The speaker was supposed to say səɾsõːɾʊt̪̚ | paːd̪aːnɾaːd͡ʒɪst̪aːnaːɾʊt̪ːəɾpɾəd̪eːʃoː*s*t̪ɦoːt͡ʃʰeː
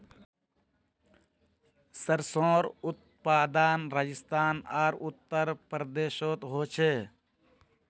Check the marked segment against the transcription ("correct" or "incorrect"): incorrect